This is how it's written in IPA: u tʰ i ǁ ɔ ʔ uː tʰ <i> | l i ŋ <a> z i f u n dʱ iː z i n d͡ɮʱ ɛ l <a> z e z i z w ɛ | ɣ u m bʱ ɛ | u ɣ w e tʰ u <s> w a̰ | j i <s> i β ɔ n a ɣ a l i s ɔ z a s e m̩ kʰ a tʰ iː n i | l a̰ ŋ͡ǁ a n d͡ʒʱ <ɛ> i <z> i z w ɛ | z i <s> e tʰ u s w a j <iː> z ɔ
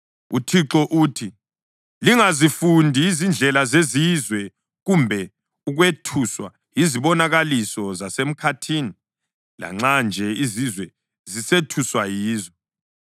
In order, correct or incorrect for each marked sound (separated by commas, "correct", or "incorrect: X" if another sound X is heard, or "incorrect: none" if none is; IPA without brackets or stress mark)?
correct, correct, correct, correct, incorrect: z, correct, correct, correct, correct